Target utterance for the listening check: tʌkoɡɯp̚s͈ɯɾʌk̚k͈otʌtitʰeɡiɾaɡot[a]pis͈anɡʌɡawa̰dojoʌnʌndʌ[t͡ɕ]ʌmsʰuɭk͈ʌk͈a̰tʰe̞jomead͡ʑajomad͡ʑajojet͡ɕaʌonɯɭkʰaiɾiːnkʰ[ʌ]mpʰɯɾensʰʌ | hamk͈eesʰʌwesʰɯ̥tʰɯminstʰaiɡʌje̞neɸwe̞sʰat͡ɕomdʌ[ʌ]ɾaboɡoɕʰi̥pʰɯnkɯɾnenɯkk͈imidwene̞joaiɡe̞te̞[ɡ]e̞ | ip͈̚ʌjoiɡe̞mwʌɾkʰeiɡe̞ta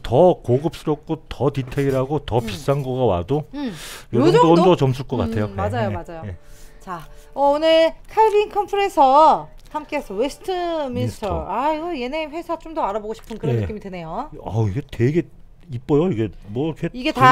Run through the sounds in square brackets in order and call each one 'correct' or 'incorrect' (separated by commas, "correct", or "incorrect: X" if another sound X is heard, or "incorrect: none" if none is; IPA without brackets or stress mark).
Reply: incorrect: ʌ, correct, correct, incorrect: a, correct